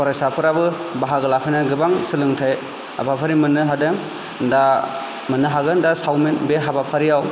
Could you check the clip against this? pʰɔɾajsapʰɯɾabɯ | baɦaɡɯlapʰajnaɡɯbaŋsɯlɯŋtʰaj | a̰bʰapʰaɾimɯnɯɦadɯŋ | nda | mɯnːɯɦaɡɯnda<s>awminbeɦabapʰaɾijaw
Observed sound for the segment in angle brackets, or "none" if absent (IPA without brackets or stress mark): s